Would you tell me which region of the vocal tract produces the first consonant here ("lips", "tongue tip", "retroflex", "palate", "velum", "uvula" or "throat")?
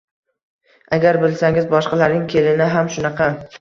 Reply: velum